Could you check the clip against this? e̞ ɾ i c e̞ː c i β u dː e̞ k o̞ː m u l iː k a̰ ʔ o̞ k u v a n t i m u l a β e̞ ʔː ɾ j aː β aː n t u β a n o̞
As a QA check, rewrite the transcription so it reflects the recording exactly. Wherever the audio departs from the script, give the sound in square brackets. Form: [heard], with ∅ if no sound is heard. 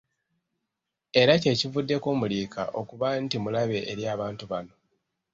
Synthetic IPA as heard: e̞ ɾ [a] c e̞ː c i [v] u dː e̞ k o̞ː m u l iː k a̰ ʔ o̞ k u [β] a n t i m u l a β e̞ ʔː ɾ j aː β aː n t u β a n o̞